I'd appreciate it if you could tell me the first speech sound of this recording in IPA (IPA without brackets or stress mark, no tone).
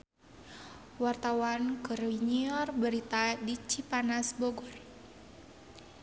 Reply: w